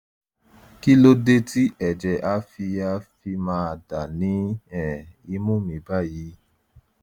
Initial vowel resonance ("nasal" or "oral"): oral